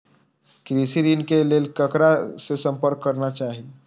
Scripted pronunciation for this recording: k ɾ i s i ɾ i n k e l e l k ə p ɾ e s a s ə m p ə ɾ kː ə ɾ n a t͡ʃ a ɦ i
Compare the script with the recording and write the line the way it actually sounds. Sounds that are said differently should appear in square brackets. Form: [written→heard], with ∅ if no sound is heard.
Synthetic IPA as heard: k ɾ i s i ɾ i n k e l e l k ə [p→k] ɾ [e→a] s [a→e] s ə m p ə ɾ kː ə ɾ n a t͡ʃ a ɦ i